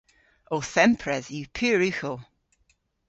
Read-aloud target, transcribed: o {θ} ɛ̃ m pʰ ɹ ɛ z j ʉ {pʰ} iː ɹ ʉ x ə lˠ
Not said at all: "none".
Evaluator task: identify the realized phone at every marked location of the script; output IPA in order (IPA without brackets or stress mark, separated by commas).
θ, pʰ